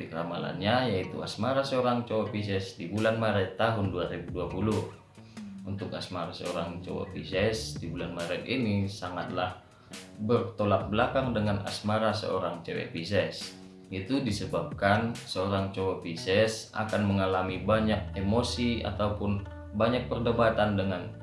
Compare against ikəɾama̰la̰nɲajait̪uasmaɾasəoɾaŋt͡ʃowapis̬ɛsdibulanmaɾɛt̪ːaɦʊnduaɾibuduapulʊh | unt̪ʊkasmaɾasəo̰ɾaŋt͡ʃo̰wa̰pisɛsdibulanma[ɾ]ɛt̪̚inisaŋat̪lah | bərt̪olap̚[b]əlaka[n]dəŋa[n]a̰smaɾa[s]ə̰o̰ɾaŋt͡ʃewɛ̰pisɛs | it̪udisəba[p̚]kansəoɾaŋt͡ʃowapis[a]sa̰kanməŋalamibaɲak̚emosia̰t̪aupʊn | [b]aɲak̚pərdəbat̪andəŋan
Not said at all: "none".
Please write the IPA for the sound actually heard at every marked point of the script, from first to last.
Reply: ɾ, b, ŋ, n, s, p̚, ɛ, b

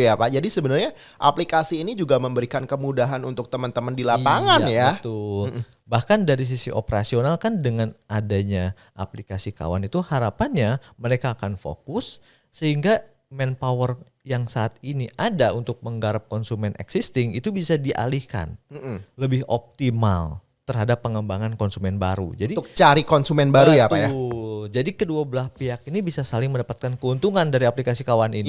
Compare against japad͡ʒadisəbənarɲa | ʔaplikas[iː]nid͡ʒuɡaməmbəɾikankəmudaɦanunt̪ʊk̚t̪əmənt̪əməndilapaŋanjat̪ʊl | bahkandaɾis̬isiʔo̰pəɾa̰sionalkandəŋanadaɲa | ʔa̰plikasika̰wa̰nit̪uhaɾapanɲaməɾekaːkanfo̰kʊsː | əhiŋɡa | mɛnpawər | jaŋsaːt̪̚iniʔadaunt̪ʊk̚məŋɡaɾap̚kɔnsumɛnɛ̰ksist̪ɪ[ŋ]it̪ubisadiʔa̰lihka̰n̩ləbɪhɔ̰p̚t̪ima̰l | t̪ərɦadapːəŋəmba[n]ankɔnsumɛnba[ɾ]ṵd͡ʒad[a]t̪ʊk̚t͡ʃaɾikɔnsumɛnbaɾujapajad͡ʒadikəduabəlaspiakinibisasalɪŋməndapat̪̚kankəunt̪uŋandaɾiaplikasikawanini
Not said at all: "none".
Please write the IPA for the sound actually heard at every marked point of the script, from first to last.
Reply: iː, ŋ, ŋ, ɾ, i

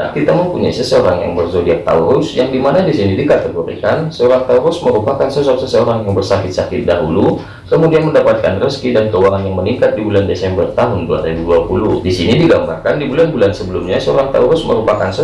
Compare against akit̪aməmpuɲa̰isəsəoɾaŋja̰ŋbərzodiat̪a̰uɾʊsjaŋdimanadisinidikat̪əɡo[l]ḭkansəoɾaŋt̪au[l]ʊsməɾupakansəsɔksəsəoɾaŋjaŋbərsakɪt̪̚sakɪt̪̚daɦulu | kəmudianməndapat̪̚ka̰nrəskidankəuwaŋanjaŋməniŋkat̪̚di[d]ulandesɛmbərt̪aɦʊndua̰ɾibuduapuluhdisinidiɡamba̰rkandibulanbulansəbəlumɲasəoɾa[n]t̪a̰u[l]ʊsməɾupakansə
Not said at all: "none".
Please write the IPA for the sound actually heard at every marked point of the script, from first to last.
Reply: ɾ, ɾ, b, ŋ, ɾ

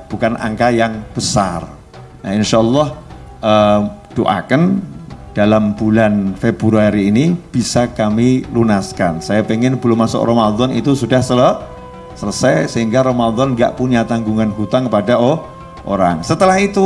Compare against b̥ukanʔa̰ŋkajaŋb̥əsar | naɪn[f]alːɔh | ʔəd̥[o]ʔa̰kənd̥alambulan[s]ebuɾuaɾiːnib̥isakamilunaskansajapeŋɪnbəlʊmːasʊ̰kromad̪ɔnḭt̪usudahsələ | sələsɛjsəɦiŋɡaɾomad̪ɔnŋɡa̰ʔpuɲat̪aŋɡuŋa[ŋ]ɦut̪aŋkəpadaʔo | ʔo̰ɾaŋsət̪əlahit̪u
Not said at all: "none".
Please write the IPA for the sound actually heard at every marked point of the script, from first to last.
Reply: ʃ, o, f, n

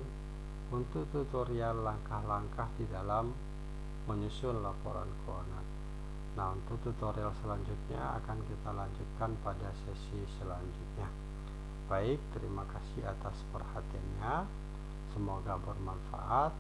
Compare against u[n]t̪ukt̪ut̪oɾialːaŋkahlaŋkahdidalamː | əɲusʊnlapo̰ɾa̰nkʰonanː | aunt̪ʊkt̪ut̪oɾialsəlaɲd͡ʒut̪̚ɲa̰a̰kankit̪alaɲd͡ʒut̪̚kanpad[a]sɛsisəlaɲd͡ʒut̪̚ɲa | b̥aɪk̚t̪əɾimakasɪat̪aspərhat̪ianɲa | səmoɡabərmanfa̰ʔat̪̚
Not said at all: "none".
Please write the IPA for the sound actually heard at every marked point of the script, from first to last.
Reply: n, a

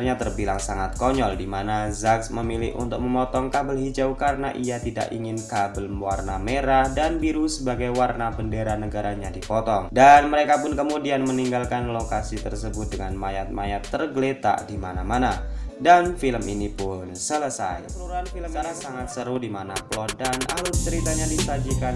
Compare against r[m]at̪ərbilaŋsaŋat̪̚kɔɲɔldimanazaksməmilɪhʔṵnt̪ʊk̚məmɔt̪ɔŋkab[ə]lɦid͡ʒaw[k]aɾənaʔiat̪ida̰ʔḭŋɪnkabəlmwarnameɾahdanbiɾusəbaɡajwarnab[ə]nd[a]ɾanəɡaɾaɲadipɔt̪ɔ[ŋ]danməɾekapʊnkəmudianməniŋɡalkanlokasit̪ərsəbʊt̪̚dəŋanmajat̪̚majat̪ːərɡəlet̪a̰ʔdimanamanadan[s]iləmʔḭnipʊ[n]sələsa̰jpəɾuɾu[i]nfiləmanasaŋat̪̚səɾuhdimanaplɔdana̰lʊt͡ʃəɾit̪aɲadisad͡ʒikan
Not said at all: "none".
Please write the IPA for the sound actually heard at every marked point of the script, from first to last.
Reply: ɲ, ə, k, ə, e, ŋ, f, n, a

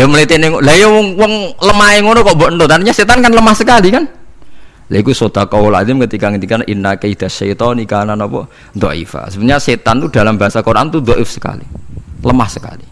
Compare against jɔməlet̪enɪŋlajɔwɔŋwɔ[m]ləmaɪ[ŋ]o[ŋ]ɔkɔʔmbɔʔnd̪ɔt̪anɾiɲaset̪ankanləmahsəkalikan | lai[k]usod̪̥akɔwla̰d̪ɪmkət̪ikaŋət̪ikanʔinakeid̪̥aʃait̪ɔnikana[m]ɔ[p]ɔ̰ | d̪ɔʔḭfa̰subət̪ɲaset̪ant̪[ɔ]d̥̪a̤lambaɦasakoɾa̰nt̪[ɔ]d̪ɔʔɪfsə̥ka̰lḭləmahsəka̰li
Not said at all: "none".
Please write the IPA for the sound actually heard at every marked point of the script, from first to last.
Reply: ŋ, ŋ, n, k, n, p, u, u

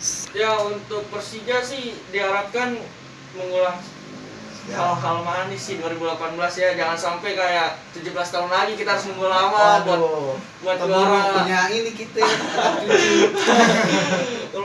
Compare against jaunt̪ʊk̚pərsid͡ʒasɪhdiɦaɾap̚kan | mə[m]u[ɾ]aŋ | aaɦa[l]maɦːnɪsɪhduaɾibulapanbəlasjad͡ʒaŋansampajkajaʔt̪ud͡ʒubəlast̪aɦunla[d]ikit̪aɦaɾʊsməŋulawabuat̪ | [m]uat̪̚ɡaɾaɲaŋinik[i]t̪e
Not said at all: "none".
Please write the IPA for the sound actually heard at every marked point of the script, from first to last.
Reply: ŋ, l, l, ɡ, b, i

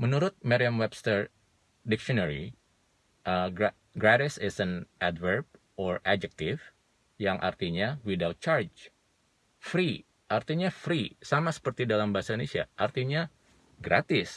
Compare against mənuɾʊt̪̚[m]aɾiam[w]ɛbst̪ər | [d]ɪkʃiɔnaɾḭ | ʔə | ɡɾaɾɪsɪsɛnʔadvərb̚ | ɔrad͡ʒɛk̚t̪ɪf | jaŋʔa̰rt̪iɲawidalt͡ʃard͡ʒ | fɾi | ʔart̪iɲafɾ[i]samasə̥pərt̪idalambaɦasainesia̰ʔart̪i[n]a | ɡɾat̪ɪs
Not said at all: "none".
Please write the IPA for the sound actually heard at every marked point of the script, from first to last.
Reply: m, w, d, i, ɲ

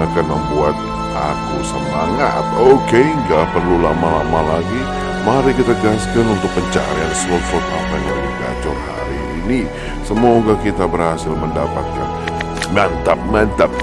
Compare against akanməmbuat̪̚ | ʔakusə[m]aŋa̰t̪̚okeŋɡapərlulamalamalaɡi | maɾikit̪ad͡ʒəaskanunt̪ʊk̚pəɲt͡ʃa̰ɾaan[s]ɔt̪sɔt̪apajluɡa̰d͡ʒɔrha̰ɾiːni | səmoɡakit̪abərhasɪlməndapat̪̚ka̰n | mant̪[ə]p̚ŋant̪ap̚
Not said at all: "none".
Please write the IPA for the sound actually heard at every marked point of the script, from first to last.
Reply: m, s, a

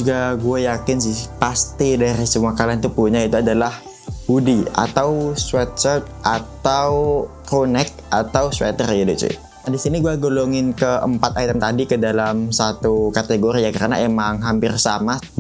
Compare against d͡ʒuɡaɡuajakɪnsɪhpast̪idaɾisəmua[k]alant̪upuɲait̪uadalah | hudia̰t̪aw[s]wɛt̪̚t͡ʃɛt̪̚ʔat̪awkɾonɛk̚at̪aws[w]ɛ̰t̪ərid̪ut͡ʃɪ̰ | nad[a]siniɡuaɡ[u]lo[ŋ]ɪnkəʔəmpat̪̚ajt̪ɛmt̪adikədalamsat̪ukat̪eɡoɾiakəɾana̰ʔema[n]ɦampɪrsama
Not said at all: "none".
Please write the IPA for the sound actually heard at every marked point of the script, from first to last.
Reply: k, s, w, i, o, ŋ, ŋ

